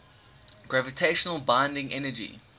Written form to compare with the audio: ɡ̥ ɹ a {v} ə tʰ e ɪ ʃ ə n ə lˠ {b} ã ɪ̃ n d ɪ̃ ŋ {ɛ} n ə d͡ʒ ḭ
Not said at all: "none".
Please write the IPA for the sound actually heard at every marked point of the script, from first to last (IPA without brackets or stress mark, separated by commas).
v, b, ɛ